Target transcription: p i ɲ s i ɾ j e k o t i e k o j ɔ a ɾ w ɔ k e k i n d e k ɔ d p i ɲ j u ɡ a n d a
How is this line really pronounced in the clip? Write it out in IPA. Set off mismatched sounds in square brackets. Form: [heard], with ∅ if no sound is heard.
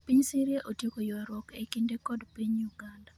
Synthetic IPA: p i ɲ s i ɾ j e [ʔ] o t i e k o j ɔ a ɾ w ɔ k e k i n d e k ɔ d p i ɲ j u ɡ a n d a

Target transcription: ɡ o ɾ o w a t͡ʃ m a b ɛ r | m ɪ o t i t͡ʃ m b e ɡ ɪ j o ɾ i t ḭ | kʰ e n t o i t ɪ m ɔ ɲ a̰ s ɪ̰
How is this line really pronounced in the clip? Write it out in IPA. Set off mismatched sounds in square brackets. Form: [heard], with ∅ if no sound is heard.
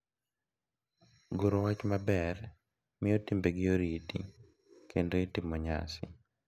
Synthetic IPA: ɡ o ɾ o w a t͡ʃ m a b ɛ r | m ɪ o t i [∅] m b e ɡ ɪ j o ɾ i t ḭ | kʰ e n [d] o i t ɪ m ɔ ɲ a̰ s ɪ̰

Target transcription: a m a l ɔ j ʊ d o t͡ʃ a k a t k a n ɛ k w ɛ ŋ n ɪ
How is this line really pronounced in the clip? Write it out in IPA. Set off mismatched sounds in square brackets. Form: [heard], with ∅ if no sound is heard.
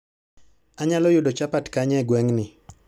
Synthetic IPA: a [ɲ] a l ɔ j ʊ d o t͡ʃ a [p] a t k a [ɲ] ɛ [ɡ] w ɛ ŋ n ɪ

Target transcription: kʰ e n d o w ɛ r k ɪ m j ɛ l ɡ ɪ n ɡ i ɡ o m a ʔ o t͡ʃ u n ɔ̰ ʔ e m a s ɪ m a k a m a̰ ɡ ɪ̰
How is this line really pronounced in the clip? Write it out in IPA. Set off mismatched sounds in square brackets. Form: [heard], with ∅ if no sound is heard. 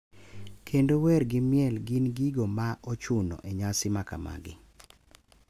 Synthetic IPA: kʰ e n d o w ɛ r [ɡ] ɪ m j ɛ l ɡ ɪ n ɡ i ɡ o m a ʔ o t͡ʃ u n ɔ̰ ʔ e [ɲ] a s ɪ m a k a m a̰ ɡ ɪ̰

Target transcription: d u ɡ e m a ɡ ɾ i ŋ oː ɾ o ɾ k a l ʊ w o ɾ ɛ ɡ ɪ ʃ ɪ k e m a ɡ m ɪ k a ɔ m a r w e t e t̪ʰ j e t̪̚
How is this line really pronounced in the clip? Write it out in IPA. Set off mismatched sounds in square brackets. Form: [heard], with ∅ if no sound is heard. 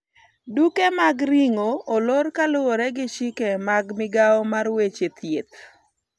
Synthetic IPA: d u [k] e m a ɡ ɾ i ŋ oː [l] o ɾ k a l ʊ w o ɾ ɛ ɡ ɪ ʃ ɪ k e m a ɡ m ɪ [ɡ] a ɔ m a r w e [t͡ʃ] e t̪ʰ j e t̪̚

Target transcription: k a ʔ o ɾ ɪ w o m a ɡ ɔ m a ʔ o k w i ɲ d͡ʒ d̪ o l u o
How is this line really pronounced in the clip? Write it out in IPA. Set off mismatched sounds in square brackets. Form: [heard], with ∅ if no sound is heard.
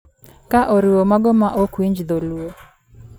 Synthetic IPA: k a ʔ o ɾ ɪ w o m a ɡ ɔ m a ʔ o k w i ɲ d͡ʒ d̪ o l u o

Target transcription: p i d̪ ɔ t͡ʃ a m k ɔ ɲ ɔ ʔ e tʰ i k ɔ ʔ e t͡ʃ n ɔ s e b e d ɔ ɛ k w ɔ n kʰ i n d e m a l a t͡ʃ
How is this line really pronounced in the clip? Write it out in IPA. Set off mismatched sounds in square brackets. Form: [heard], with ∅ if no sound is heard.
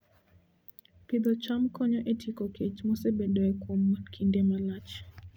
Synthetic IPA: p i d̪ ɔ t͡ʃ a m k ɔ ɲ ɔ ʔ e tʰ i k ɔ [k] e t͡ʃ [m] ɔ s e b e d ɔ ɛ k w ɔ [m] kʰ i n d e m a l a t͡ʃ

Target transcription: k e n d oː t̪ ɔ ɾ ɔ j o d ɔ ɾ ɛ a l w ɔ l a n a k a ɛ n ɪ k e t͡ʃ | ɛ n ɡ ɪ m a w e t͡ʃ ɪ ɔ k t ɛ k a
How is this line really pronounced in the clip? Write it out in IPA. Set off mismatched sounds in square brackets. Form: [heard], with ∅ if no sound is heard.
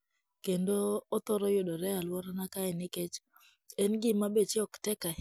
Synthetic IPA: k e n d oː t̪ ɔ ɾ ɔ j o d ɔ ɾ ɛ a l w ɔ [ɾ] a n a k a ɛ n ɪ k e t͡ʃ | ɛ n ɡ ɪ m a [b] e t͡ʃ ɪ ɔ k t ɛ k a

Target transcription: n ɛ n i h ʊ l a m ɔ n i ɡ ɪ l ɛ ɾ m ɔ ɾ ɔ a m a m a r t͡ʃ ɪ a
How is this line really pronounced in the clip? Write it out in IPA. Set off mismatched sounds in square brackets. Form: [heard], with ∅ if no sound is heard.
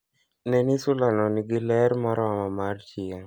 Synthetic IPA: n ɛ n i [s] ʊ l a [n] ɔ n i ɡ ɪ l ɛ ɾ m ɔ ɾ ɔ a m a m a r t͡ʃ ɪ a

